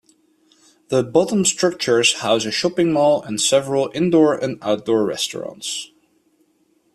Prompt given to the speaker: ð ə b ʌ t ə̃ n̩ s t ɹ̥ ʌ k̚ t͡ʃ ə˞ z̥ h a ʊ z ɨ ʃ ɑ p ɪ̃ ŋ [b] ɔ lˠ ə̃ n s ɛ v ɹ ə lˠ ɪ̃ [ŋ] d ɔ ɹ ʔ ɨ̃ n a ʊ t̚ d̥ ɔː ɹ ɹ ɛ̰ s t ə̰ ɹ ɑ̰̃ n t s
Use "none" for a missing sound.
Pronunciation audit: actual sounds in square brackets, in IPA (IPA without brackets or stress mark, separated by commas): m, n